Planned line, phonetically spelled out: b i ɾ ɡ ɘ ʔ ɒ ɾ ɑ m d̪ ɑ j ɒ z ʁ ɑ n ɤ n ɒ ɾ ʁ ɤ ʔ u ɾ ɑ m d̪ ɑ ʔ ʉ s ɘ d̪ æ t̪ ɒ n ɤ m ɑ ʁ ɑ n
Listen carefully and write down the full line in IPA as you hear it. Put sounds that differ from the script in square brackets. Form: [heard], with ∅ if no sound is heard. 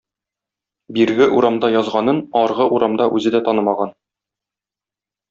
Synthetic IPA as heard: b i ɾ ɡ ɘ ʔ [u] ɾ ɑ m d̪ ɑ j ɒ z ʁ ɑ n ɤ n ɒ ɾ ʁ ɤ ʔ u ɾ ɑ m d̪ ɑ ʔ ʉ [z] ɘ d̪ æ t̪ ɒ n ɤ m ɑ ʁ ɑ n